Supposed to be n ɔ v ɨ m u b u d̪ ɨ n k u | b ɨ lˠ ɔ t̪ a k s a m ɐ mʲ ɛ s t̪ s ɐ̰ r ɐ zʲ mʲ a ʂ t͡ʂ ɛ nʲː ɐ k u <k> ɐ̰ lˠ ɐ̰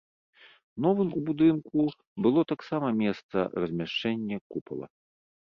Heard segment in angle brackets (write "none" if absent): p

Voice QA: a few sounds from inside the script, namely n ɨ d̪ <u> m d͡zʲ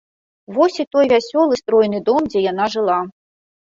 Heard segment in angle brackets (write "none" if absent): ɔ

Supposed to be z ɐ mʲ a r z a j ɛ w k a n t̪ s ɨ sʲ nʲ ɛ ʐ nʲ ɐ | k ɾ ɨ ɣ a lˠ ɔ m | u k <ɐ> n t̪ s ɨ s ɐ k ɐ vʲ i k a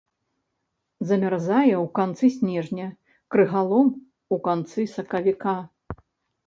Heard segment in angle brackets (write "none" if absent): a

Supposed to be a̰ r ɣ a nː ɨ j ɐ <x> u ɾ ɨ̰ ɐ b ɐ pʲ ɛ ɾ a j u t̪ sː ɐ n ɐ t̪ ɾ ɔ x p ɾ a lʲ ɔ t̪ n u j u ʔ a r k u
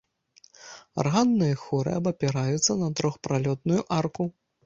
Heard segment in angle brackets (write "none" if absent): x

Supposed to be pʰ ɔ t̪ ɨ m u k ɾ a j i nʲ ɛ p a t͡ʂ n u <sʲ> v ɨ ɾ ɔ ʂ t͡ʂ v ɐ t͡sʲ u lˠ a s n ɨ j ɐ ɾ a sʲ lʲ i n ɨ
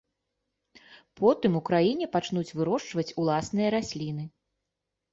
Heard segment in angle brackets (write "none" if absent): t͡sʲ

